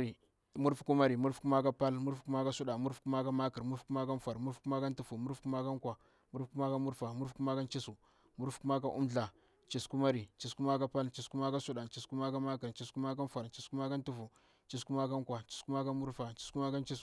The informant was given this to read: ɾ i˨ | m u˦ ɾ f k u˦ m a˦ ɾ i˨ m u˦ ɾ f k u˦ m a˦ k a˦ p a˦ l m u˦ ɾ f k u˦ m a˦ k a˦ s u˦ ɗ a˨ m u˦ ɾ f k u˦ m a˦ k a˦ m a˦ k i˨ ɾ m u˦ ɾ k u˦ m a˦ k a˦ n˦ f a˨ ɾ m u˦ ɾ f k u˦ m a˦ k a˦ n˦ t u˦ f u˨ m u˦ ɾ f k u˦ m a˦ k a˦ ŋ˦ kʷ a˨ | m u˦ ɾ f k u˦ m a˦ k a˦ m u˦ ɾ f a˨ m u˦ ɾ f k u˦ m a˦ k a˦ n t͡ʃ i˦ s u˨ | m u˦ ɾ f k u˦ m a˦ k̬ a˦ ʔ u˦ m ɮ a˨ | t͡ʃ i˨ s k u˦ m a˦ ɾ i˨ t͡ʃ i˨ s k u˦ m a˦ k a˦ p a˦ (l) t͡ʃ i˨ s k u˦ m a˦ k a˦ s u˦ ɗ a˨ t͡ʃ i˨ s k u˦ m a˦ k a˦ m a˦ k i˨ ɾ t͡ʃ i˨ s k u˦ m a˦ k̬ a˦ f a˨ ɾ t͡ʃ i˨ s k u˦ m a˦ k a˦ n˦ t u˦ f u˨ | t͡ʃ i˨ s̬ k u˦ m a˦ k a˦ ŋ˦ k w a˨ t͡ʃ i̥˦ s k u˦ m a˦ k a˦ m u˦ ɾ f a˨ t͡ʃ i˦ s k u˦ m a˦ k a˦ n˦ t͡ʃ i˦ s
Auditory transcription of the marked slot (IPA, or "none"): l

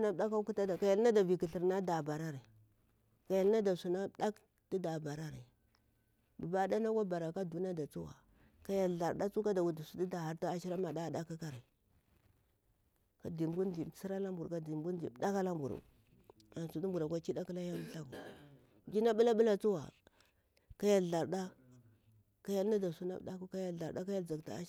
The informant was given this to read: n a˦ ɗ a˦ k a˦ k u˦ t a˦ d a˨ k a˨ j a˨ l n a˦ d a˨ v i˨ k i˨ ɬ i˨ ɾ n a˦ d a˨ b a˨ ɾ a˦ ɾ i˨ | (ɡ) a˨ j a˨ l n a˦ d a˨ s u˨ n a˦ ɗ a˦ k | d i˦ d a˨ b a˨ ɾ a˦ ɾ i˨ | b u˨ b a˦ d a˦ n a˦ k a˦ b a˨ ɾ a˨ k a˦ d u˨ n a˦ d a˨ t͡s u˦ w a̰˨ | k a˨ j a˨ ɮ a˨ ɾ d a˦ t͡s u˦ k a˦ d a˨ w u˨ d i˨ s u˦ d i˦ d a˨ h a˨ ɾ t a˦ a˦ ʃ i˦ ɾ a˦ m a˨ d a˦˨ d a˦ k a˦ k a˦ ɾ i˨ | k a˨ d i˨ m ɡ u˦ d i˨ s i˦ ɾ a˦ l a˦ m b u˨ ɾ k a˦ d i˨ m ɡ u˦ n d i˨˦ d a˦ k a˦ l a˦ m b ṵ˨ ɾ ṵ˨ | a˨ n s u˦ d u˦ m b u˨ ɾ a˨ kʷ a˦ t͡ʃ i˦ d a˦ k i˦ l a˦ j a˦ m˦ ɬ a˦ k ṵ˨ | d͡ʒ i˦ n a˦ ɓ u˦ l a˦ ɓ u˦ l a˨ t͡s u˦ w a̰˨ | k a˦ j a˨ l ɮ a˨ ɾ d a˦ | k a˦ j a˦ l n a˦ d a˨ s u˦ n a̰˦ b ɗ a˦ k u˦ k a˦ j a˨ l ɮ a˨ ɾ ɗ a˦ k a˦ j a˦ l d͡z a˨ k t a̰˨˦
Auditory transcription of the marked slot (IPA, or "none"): k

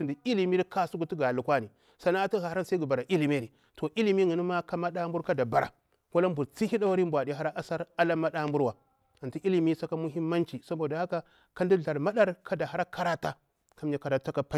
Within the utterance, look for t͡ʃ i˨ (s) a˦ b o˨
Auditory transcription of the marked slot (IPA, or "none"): s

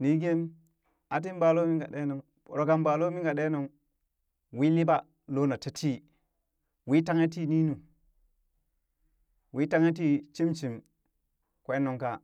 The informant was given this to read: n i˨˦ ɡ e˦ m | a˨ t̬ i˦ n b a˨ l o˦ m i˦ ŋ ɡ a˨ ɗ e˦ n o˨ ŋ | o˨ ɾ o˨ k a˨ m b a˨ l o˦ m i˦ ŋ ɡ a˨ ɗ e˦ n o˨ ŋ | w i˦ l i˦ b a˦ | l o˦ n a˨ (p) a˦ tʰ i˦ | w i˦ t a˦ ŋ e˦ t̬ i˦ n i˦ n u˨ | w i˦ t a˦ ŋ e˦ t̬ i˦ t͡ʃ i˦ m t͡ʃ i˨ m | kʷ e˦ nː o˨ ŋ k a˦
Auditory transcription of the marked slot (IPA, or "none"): t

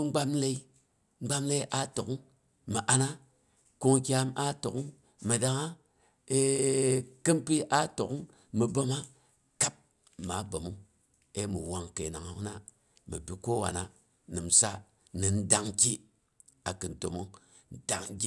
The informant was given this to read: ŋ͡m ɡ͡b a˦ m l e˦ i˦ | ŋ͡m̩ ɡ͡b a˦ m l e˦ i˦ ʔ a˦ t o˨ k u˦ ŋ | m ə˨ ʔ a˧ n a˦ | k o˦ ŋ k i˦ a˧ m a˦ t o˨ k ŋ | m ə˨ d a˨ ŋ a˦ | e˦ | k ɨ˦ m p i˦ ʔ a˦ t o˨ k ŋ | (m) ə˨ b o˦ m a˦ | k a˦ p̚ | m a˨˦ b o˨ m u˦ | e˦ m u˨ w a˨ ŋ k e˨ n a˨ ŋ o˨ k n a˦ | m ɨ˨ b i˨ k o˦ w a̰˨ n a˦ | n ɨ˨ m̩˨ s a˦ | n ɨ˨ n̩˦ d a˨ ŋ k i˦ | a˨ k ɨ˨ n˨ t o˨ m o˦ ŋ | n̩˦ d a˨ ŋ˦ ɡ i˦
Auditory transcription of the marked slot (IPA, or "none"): m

